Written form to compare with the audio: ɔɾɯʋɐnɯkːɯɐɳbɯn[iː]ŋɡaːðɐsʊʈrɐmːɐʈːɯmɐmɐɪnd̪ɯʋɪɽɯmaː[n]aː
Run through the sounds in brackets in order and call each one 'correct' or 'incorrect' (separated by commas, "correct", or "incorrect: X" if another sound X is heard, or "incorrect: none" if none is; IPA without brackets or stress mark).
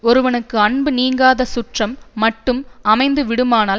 correct, correct